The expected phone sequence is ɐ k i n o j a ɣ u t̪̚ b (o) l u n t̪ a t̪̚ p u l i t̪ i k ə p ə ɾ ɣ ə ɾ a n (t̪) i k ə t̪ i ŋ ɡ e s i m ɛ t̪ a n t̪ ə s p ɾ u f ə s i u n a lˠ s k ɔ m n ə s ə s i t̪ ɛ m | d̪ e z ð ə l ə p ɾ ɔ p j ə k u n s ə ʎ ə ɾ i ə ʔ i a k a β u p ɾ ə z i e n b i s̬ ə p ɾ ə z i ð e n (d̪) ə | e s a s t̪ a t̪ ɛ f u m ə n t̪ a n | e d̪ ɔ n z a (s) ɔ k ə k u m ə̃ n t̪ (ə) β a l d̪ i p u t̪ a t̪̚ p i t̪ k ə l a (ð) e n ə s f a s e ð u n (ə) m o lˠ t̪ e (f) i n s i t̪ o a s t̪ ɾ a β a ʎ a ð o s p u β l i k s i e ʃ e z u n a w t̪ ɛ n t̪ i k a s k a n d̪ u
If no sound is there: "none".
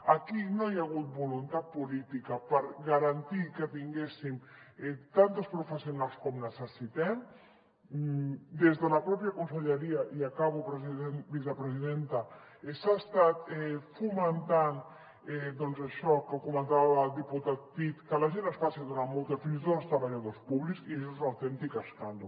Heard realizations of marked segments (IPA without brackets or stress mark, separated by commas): u, t̪, t̪, ʃ, a, ʒ, a, f